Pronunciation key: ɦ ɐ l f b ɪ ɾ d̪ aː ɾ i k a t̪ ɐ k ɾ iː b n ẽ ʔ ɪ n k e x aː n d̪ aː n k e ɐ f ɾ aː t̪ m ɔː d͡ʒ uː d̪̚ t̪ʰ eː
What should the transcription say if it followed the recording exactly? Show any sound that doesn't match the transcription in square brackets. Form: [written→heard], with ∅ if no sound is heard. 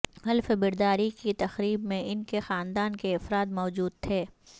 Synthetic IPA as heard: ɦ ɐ l f b ɪ ɾ d̪ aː ɾ i k [a→i] t̪ ɐ [k→x] ɾ iː b [n→m] ẽ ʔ ɪ n k e x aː n d̪ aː n k e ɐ f ɾ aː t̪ m ɔː d͡ʒ uː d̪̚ t̪ʰ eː